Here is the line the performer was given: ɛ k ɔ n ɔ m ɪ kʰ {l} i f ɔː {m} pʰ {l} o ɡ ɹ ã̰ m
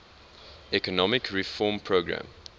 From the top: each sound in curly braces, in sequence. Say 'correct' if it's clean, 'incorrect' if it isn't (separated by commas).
incorrect, correct, incorrect